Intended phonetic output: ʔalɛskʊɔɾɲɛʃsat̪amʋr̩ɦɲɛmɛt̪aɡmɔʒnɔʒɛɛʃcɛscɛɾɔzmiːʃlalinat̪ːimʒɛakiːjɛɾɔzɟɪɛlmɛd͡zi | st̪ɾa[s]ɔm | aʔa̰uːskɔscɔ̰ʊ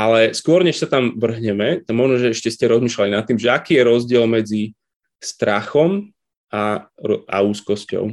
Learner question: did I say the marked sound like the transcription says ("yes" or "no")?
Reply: no